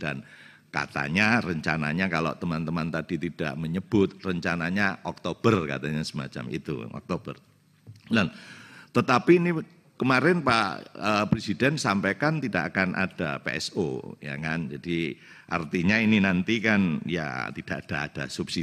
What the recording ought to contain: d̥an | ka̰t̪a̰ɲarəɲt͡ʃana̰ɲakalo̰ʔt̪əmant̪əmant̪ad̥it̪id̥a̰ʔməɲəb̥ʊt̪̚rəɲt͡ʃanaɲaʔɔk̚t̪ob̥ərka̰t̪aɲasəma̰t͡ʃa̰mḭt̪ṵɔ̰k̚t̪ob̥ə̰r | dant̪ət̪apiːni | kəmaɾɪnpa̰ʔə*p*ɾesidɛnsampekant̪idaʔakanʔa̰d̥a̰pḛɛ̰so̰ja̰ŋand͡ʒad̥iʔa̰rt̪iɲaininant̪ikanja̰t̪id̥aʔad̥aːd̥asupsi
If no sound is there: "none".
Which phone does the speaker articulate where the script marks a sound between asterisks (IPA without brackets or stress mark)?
p